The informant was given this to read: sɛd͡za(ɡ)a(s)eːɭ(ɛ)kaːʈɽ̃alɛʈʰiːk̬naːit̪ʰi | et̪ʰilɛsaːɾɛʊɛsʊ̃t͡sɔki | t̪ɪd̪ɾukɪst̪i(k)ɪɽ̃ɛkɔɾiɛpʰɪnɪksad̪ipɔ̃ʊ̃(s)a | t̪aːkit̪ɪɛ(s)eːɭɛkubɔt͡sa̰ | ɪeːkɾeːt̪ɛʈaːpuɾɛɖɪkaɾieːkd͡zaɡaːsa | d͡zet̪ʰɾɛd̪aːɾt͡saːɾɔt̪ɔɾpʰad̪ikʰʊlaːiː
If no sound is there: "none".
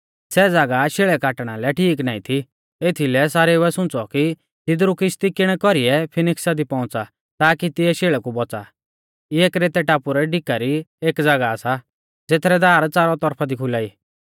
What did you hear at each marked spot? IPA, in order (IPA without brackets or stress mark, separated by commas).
ɡ, ʃ, ɛ, k, t͡s, ʃ